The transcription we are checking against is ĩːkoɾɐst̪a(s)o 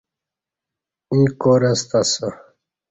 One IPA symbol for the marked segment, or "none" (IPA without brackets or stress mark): s